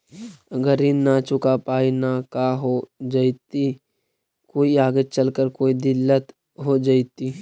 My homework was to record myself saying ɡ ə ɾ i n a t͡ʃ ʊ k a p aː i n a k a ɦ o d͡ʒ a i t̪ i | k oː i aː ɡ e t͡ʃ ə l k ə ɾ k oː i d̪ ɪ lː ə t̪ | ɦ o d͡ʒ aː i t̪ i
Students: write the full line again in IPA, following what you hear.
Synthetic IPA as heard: ɡ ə ɾ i n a t͡ʃ ʊ k a p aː i n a k a ɦ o d͡ʒ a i t̪ i | k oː i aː ɡ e t͡ʃ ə l k ə ɾ k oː i d̪ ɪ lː ə t̪ | ɦ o d͡ʒ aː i t̪ i